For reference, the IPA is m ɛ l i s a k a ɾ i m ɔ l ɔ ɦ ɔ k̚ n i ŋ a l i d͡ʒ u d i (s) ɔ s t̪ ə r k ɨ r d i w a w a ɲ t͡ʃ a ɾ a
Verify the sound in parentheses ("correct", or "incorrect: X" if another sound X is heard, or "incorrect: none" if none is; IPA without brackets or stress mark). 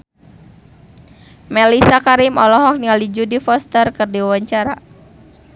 incorrect: f